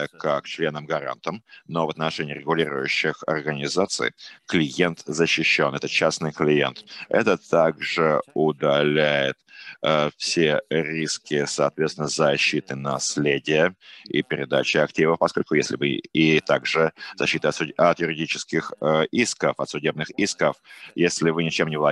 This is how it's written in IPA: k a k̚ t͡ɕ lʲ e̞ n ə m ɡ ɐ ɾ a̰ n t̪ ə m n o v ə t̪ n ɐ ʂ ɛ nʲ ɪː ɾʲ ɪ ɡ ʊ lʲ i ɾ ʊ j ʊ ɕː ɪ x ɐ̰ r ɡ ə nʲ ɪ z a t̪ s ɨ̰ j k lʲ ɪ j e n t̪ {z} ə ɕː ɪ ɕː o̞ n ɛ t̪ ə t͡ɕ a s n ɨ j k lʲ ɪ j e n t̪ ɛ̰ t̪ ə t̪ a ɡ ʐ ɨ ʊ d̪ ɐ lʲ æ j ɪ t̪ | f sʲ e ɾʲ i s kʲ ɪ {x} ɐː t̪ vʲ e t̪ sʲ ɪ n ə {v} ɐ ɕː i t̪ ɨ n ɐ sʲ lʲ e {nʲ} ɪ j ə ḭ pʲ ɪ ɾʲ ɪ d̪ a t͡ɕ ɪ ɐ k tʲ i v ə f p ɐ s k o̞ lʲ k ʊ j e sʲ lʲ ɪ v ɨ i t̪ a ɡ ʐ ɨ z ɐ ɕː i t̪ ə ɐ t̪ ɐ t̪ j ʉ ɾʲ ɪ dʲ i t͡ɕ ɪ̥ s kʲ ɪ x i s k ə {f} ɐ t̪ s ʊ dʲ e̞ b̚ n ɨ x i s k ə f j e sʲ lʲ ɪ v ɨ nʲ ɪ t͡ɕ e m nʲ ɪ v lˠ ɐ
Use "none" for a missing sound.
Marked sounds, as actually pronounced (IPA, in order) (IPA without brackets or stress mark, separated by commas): z, s, z, dʲ, f